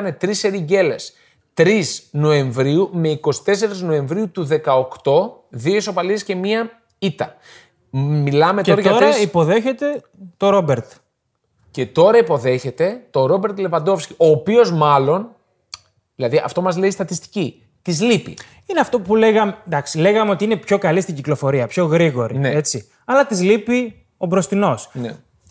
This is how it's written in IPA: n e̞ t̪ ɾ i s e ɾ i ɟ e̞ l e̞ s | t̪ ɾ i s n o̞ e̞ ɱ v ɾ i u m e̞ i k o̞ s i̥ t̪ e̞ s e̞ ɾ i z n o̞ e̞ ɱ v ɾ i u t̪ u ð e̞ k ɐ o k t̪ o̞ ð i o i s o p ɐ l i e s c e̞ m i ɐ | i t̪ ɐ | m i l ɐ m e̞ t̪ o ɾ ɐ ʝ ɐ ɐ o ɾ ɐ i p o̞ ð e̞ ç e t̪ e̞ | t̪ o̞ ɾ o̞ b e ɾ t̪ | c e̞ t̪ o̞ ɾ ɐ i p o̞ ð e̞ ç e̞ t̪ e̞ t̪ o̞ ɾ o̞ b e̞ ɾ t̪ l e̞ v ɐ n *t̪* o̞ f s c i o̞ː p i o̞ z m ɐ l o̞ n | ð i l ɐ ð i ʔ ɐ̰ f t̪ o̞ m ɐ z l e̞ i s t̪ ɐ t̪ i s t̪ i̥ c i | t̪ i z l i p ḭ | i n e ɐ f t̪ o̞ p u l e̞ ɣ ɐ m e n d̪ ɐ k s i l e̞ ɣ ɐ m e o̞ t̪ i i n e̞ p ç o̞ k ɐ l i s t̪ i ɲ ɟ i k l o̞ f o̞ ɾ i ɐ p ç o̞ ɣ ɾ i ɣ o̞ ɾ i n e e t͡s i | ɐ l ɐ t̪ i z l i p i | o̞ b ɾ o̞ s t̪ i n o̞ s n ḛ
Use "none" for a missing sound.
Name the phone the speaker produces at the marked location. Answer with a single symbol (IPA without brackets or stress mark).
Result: d̪